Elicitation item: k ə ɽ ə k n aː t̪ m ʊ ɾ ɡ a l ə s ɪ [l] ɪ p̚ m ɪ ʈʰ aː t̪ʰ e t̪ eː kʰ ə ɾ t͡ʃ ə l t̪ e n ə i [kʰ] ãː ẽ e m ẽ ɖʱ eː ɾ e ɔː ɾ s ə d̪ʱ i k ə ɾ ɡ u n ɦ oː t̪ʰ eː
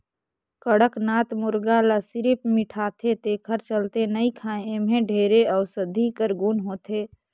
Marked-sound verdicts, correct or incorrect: incorrect: ɾ, correct

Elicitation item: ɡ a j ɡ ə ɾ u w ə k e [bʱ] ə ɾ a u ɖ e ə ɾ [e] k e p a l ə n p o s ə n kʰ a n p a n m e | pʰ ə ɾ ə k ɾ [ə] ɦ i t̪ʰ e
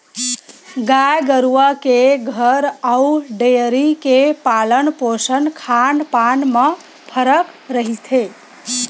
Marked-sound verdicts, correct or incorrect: incorrect: ɡʱ, incorrect: i, correct

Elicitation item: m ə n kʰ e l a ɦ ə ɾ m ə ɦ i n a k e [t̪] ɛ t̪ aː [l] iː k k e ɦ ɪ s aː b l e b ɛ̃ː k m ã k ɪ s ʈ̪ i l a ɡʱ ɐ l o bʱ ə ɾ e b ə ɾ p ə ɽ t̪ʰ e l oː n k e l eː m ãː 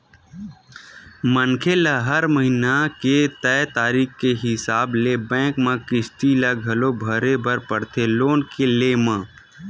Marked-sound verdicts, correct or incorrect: correct, incorrect: ɾ

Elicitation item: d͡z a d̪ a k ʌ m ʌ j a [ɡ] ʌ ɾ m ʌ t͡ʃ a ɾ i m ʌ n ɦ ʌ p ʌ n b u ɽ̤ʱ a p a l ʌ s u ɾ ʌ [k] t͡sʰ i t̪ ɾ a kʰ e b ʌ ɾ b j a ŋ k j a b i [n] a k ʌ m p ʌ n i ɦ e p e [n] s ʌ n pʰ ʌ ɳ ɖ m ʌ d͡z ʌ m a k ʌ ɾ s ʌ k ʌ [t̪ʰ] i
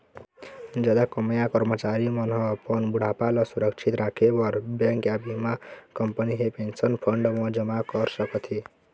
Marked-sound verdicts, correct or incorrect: incorrect: k, correct, incorrect: m, correct, correct

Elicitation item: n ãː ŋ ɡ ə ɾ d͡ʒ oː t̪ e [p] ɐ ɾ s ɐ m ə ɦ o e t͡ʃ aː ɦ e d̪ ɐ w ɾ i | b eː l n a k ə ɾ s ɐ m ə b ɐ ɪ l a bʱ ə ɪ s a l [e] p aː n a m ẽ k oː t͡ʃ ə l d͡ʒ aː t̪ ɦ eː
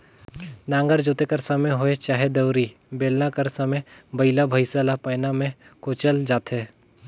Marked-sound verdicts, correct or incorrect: incorrect: k, incorrect: a

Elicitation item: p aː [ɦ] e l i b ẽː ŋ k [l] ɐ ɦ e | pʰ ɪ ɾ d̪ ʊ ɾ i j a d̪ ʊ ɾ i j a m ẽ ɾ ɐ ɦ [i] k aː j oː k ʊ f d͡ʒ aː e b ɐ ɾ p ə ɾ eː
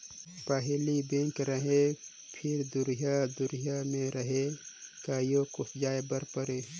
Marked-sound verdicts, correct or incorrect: correct, incorrect: ɾ, incorrect: e

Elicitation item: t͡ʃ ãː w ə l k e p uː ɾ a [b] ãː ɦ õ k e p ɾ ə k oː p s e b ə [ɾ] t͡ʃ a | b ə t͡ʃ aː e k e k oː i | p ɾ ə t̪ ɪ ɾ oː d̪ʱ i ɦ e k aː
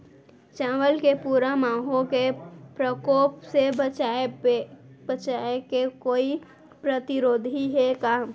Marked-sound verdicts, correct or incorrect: incorrect: m, incorrect: none

